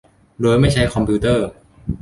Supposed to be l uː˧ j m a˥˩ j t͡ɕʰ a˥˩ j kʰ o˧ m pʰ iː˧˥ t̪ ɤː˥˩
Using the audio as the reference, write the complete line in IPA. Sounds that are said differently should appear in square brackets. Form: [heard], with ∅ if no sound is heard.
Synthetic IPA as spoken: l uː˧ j m a˥˩ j t͡ɕʰ [a˦˥] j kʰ [ɔ˧] m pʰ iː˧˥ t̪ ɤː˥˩